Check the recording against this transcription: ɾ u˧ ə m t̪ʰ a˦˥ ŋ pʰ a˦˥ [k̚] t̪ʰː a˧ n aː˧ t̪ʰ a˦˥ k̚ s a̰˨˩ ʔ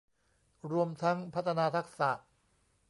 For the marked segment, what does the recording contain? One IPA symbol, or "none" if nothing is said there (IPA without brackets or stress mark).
none